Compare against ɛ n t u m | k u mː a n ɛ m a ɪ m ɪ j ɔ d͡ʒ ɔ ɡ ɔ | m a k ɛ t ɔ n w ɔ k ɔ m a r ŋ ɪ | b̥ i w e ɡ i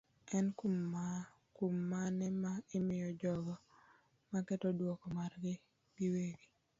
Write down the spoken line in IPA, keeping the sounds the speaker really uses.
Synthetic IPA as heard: ɛ n k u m | k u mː a n ɛ m a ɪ m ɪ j ɔ d͡ʒ ɔ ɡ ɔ | m a k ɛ t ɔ d w ɔ k ɔ m a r ɡ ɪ | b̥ i w e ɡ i